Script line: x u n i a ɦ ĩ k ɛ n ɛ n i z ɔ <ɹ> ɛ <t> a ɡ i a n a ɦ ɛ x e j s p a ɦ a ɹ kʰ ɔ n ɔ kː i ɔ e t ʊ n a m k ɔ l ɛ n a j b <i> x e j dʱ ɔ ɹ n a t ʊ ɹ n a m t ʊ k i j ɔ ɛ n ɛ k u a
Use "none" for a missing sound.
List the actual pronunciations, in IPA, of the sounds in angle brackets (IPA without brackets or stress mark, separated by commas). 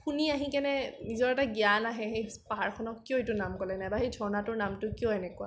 ɹ, t, a